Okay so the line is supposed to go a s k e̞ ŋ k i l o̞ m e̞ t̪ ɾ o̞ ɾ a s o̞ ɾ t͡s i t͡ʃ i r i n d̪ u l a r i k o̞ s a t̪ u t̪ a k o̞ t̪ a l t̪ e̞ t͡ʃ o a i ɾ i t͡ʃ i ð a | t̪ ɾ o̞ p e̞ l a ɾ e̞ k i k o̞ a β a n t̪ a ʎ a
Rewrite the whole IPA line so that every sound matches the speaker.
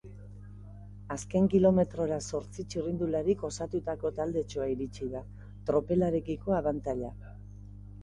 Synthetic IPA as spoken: a s k e̞ ŋ k i l o̞ m e̞ t̪ ɾ o̞ ɾ a s o̞ ɾ t͡s i t͡ʃ i r i n d̪ u l a ɾ i k o̞ s a t̪ u t̪ a k o̞ t̪ a l d̪ e̞ t͡ʃ o a i ɾ i t͡ʃ i ð a | t̪ ɾ o̞ p e̞ l a ɾ e̞ k i k o̞ a β a n t̪ a ʎ a